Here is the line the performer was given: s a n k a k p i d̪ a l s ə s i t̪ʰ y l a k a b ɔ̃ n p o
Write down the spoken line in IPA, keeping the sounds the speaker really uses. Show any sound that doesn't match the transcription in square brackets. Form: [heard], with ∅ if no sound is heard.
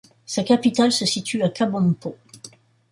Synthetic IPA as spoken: s a [∅] k a [∅] p i [t̪] a l s ə s i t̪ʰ y [∅] a k a b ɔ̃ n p o